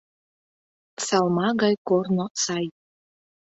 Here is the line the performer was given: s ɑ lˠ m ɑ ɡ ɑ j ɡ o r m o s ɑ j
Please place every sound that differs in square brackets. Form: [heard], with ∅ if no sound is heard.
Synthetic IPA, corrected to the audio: s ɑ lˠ m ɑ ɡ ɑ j [k] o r [n] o s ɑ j